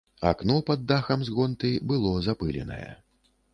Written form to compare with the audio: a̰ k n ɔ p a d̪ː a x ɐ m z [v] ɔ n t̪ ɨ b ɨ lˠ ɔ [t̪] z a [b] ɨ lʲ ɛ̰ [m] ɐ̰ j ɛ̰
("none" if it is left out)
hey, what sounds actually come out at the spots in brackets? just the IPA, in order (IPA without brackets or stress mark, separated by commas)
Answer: ɣ, none, p, n